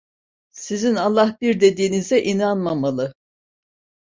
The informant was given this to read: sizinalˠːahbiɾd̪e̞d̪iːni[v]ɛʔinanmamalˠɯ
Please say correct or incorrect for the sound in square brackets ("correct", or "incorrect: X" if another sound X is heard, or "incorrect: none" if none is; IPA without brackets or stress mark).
incorrect: z